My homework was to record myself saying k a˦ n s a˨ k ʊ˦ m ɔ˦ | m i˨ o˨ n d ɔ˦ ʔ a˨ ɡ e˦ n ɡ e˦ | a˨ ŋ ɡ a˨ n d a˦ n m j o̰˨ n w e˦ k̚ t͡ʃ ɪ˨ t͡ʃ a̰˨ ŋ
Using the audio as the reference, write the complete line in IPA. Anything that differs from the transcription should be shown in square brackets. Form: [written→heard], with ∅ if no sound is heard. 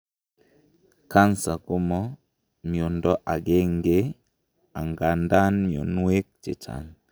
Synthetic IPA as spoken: k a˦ n s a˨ k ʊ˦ m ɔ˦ | m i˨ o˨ n d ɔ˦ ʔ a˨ ɡ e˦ [n→ŋ] ɡ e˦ | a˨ ŋ ɡ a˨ n d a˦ n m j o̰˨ n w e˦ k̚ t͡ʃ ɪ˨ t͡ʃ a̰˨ ŋ